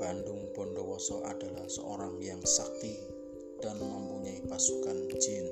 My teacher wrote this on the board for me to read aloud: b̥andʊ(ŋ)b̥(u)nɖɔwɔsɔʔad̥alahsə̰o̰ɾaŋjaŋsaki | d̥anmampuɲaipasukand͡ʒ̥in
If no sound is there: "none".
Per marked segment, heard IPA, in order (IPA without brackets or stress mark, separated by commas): ŋ, ɔ